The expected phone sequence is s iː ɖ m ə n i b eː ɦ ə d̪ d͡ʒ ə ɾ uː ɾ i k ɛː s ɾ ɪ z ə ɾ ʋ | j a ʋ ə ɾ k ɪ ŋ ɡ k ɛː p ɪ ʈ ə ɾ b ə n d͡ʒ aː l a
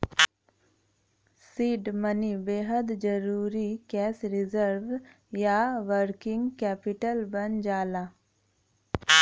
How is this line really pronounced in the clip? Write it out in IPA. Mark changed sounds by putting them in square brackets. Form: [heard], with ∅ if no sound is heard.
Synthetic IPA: s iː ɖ m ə n i b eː ɦ ə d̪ d͡ʒ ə ɾ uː ɾ i k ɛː s ɾ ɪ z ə ɾ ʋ | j a ʋ ə ɾ k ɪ ŋ ɡ k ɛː p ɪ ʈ ə [l] b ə n d͡ʒ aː l a